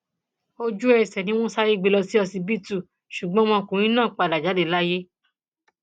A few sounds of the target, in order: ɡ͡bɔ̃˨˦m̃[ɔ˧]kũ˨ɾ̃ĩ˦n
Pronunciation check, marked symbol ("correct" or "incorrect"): incorrect